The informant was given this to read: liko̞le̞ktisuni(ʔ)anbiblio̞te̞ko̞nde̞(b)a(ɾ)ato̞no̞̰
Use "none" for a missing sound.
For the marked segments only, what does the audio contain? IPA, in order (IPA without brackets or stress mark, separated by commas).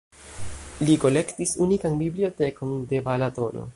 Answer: k, b, l